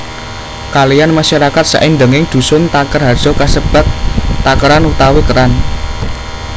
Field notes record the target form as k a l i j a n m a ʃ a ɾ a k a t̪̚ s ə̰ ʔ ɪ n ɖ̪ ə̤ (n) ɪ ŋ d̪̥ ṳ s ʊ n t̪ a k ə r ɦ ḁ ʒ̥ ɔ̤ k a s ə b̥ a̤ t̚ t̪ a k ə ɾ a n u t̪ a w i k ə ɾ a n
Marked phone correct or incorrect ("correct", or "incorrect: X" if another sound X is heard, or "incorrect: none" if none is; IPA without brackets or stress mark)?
incorrect: ŋ